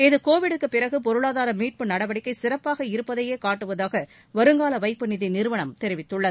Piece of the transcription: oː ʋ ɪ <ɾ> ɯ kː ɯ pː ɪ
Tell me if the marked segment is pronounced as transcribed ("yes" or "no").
no